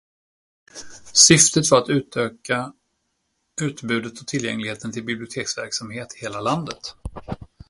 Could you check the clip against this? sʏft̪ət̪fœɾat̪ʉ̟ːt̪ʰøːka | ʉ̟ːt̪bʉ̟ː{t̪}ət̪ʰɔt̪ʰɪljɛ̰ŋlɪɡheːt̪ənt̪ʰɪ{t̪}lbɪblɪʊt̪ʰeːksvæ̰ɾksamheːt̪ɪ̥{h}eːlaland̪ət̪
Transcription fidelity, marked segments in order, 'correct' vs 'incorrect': incorrect, incorrect, correct

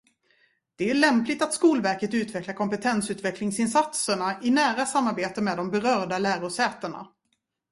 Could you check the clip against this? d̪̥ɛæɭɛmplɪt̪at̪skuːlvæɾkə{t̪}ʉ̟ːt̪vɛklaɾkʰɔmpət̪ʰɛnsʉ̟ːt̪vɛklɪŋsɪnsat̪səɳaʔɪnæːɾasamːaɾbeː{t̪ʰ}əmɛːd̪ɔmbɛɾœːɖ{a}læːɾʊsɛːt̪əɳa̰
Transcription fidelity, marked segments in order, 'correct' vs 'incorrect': correct, incorrect, correct

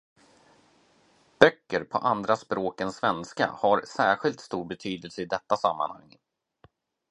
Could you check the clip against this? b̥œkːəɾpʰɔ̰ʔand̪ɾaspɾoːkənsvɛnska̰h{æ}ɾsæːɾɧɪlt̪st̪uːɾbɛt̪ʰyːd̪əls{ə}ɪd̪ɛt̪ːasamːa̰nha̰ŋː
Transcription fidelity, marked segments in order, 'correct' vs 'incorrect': incorrect, correct

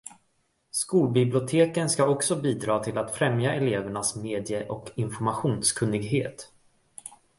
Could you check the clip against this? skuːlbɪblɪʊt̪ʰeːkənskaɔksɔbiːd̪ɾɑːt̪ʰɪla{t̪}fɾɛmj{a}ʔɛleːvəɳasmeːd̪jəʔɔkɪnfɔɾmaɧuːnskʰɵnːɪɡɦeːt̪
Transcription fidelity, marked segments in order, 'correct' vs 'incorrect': correct, correct

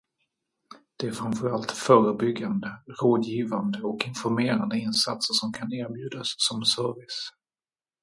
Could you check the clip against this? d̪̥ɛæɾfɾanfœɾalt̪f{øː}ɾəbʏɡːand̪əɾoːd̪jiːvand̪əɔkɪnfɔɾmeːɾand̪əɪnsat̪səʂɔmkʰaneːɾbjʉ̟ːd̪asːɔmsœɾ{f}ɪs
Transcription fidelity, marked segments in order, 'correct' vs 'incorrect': incorrect, incorrect

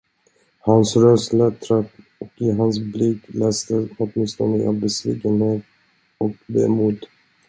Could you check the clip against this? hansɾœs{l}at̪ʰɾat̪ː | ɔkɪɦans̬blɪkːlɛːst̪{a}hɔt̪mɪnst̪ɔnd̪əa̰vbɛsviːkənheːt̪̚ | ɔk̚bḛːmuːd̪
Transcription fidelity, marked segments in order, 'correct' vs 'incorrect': correct, incorrect

